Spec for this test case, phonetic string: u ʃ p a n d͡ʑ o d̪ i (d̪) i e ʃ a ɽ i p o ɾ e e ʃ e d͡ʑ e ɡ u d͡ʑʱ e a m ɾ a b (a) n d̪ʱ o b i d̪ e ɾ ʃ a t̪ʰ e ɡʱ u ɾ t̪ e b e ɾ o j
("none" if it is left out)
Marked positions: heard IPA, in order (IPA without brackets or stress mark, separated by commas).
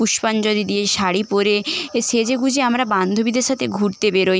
d̪, a